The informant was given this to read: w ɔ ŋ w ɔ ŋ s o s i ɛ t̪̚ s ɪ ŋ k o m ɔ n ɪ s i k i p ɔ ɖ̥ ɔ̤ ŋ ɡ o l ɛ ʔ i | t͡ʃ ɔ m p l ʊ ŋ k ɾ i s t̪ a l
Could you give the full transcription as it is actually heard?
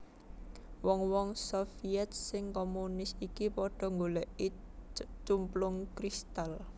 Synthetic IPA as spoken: w ɔ ŋ w ɔ ŋ s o f i ɛ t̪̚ s ɪ ŋ k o m u n ɪ s i k i p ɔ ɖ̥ ɔ̤ ŋ ɡ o l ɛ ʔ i | t͡ʃ u m p l ʊ ŋ k ɾ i s t̪ a l